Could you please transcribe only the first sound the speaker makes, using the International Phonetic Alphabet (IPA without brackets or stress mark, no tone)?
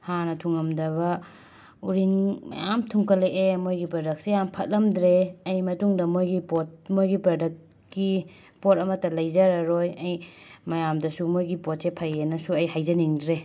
h